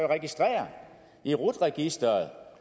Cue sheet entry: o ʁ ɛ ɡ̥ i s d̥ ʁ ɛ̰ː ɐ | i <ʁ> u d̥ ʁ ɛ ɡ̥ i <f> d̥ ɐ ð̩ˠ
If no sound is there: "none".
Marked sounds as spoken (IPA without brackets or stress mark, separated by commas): ʁ, s